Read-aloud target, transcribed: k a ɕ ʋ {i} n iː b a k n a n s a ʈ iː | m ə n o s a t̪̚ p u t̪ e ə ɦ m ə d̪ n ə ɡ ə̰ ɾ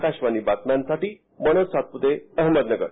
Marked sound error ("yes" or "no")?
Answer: yes